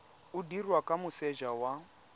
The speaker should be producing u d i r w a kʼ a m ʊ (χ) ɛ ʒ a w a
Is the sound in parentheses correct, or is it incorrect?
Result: incorrect